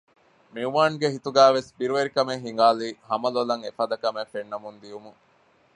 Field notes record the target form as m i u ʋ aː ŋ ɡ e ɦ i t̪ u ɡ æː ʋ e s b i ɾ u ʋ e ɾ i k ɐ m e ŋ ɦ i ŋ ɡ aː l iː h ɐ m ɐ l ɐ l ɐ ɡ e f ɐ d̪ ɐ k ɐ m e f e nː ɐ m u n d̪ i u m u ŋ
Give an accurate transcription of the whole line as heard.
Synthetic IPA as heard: m i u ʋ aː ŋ ɡ e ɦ i t̪ u ɡ æː ʋ e s b i ɾ u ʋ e ɾ i k ɐ m e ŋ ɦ i ŋ ɡ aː l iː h ɐ m ɐ l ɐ l ɐ ŋ e f ɐ d̪ ɐ k ɐ m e f e nː ɐ m u n d̪ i u m u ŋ